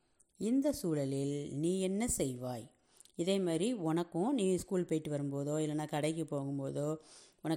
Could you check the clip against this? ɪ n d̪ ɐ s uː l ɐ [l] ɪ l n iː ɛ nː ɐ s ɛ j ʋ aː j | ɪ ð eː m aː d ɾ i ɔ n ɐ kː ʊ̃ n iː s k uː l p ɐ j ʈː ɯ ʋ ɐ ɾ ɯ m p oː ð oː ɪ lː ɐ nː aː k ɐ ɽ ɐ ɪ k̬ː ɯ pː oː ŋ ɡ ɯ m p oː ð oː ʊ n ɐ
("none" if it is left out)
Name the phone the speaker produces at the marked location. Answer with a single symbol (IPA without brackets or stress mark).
l